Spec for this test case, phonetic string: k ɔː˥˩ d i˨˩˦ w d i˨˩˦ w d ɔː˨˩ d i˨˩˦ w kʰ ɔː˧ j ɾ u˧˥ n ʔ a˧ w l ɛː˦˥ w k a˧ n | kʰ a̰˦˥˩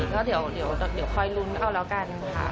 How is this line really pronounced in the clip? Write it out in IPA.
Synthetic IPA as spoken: k ɔː˥˩ d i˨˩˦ w d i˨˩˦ w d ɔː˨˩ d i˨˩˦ w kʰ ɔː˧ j l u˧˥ n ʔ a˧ w l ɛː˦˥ w k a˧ n | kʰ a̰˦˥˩